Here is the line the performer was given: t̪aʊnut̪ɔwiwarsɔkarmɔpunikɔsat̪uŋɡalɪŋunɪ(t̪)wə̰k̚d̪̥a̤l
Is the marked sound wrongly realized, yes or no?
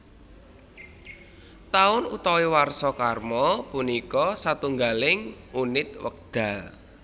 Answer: no